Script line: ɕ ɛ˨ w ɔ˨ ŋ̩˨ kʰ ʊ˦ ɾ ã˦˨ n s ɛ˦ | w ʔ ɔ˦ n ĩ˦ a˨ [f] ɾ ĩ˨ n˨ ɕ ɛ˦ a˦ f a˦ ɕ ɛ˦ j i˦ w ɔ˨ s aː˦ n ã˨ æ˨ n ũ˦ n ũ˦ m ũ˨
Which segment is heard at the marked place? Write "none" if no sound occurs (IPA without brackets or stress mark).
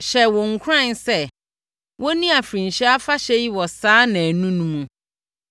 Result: f